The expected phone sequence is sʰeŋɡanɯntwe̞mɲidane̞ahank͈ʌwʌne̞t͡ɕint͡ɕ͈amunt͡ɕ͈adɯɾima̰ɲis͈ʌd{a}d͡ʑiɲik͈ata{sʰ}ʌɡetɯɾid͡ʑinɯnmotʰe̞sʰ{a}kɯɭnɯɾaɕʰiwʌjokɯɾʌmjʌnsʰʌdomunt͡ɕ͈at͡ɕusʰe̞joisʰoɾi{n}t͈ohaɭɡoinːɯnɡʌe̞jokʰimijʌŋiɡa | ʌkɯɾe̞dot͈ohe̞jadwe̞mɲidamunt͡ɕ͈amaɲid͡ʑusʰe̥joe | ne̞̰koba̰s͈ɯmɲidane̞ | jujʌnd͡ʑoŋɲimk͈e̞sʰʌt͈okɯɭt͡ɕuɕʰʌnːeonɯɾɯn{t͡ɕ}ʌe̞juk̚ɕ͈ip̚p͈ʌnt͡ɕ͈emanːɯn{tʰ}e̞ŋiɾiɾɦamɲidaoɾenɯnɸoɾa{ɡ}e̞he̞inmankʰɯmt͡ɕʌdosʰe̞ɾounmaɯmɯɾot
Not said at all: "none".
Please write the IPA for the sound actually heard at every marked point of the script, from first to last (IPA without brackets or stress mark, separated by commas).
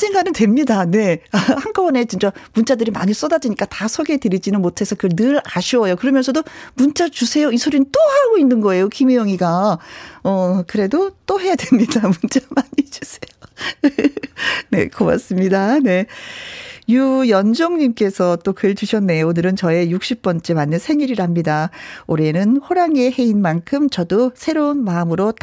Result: a, sʰ, ʌ, n, t͡ɕ, sʰ, ŋ